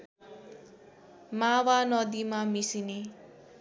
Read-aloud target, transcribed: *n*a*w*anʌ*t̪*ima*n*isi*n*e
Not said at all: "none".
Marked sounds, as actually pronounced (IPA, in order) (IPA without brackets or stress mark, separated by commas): m, w, d̪, m, n